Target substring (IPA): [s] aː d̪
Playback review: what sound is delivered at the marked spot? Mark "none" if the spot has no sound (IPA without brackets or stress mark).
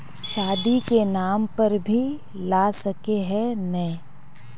ʃ